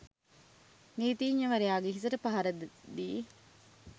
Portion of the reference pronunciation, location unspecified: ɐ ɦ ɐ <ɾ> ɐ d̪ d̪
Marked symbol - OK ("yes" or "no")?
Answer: yes